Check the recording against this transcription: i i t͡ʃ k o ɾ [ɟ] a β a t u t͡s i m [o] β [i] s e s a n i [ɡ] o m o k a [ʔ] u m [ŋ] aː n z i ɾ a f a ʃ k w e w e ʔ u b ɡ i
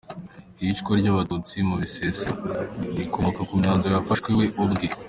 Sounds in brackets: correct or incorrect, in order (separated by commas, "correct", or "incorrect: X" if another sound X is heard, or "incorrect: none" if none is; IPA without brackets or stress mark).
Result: correct, incorrect: u, correct, incorrect: k, incorrect: k, incorrect: ɲ